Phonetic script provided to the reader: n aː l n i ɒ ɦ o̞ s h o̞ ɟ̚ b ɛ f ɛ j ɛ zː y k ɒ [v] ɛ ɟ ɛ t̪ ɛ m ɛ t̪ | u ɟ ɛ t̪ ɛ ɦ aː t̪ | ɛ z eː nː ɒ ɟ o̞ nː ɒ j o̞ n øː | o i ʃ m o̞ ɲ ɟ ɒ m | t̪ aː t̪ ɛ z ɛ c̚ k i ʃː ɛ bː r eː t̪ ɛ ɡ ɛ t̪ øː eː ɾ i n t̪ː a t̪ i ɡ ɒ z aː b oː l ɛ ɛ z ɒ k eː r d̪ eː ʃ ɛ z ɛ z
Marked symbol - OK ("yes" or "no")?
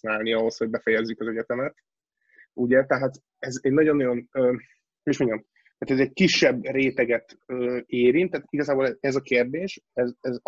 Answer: no